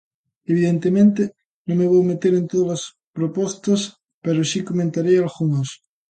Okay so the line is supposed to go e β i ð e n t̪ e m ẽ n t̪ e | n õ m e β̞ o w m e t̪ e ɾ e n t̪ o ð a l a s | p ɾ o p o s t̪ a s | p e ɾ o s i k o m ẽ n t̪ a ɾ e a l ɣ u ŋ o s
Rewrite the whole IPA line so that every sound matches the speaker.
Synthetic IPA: e β i ð e n t̪ e m ẽ n t̪ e | n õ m e β̞ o w m e t̪ e ɾ e n t̪ o ð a l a s | p ɾ o p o s t̪ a s | p e ɾ o s i k o m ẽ n t̪ a ɾ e a l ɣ u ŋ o s